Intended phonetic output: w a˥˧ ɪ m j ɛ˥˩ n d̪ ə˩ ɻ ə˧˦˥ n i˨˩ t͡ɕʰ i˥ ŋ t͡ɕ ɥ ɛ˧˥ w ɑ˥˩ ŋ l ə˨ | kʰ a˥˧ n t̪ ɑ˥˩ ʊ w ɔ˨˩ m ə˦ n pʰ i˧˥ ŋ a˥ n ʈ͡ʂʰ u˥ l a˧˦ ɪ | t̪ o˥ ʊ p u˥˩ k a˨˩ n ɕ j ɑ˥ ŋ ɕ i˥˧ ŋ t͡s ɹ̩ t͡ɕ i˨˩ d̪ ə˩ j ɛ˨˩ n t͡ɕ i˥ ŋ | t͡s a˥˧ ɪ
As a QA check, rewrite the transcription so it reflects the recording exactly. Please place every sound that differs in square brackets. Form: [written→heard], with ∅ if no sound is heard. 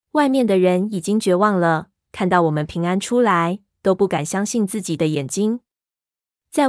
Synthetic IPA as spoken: w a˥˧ ɪ m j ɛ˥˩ n d̪ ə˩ ɻ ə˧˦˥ n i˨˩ [t͡ɕʰ→t͡ɕ] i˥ ŋ t͡ɕ ɥ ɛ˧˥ w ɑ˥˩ ŋ l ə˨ | kʰ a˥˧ n t̪ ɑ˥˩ ʊ w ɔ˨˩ m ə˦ n pʰ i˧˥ ŋ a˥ n ʈ͡ʂʰ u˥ l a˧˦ ɪ | t̪ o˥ ʊ p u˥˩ k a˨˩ n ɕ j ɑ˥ ŋ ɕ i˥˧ [ŋ→n] t͡s ɹ̩ t͡ɕ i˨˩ d̪ [ə˩→ə˦] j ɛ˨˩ n t͡ɕ i˥ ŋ | t͡s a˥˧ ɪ